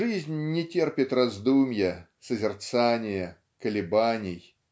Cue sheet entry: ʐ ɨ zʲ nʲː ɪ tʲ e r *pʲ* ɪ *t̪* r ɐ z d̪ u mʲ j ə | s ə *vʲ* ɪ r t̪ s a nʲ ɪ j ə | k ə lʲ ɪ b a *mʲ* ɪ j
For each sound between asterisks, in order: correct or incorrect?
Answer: correct, correct, incorrect: zʲ, incorrect: nʲ

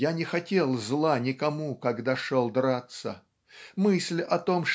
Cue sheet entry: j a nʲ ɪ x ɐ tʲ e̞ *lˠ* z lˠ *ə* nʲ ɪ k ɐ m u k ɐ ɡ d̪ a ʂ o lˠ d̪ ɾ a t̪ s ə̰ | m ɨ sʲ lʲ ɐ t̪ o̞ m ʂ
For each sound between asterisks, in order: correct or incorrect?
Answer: correct, incorrect: a

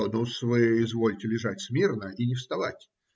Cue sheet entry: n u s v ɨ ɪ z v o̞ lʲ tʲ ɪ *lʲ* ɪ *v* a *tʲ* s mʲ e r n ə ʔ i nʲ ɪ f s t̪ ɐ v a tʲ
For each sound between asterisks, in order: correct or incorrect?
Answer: correct, incorrect: ʐ, correct

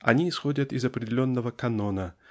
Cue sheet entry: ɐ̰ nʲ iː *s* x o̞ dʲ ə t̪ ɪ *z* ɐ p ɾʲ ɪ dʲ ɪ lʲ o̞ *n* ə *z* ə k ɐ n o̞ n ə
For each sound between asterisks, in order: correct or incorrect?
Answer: correct, correct, incorrect: nː, incorrect: v

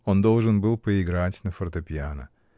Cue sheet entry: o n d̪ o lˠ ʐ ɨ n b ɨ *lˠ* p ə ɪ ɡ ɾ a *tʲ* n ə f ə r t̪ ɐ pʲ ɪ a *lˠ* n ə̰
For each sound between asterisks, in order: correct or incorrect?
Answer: correct, correct, incorrect: none

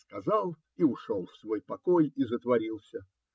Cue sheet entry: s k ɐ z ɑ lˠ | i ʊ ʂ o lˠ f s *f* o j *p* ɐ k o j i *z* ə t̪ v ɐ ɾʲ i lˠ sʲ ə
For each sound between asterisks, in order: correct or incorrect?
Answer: incorrect: v, correct, correct

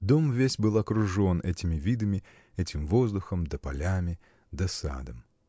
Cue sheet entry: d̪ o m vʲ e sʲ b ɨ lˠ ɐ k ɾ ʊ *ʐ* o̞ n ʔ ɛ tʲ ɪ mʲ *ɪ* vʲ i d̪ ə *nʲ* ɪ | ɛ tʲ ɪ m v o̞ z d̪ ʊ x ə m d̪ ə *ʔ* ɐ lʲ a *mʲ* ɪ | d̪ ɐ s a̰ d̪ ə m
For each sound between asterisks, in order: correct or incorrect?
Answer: correct, correct, incorrect: mʲ, incorrect: p, correct

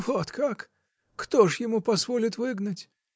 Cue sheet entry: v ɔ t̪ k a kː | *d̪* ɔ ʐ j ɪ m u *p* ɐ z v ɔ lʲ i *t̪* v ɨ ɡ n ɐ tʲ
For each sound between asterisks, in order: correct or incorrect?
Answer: incorrect: t̪, correct, correct

